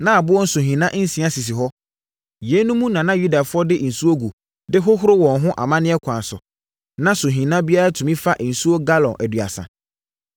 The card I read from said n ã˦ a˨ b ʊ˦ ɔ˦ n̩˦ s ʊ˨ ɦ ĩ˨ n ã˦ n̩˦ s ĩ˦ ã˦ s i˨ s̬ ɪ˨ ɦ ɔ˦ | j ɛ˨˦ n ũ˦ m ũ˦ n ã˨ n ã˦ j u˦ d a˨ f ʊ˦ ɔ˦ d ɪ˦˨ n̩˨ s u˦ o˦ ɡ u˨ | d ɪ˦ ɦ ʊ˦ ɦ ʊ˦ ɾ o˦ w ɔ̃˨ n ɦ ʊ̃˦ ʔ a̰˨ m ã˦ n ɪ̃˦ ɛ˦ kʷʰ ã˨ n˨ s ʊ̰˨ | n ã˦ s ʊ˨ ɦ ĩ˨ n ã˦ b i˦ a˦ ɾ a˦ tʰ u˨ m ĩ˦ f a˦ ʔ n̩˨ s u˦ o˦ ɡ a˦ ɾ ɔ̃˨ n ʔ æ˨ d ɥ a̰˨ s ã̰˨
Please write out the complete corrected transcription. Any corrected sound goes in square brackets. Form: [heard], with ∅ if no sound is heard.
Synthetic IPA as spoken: n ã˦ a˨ b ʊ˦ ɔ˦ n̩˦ s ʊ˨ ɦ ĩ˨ n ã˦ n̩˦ s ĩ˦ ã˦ s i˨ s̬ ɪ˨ ɦ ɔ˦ | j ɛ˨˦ n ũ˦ m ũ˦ n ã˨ n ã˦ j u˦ d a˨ f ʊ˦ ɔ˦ d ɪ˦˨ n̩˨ s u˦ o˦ ɡ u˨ | d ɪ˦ ɦ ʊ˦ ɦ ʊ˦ ɾ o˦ w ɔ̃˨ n ɦ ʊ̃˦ ʔ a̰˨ m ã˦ n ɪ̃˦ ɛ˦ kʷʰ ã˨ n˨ s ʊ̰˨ | n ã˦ s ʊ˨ ɦ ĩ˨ n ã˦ b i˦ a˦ ɾ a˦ tʰ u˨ m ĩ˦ f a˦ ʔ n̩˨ s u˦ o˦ ɡ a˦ [l] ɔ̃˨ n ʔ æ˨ d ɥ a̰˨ s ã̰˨